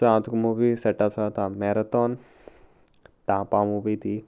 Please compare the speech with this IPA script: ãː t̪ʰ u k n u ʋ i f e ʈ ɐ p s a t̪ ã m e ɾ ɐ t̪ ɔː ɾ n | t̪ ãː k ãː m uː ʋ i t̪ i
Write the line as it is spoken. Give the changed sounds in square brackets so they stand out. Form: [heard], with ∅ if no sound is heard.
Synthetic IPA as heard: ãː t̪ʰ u k [m] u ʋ i [s] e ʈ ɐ p s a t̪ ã m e ɾ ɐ t̪ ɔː [∅] n | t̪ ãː [p] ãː m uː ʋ i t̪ i